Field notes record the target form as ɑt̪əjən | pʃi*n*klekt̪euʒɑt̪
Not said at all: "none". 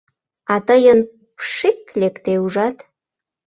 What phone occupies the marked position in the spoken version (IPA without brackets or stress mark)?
none